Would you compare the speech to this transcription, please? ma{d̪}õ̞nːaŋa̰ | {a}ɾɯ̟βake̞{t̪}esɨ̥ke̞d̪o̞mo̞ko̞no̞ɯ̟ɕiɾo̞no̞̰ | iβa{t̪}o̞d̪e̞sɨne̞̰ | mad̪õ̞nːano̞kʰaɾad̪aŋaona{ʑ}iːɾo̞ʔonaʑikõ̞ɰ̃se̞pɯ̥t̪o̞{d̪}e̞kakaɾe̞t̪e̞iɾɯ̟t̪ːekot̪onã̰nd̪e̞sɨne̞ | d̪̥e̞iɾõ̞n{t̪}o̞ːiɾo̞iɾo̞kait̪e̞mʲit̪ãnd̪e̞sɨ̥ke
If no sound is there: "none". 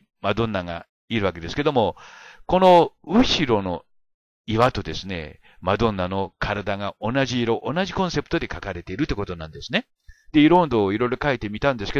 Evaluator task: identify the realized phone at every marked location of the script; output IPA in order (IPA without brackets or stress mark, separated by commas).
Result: d̪, i, d̪, t̪, ʑ, d̪, d̪